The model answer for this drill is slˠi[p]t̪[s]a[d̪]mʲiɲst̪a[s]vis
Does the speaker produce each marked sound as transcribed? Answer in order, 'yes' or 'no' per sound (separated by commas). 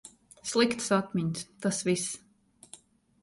no, yes, no, yes